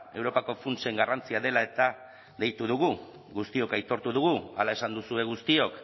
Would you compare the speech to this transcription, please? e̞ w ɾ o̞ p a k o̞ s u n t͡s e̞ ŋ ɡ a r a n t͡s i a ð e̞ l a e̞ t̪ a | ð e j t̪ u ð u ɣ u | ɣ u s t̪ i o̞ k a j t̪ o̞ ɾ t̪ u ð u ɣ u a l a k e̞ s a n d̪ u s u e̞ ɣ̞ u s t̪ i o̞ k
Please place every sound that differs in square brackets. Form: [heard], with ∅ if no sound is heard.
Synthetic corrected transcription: e̞ w ɾ o̞ p a k o̞ [f] u n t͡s e̞ ŋ ɡ a r a n t͡s i a ð e̞ l a e̞ t̪ a | ð e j t̪ u ð u ɣ u | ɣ u s t̪ i o̞ k a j t̪ o̞ ɾ t̪ u ð u ɣ u a l a [∅] e̞ s a n d̪ u s u e̞ ɣ̞ u s t̪ i o̞ k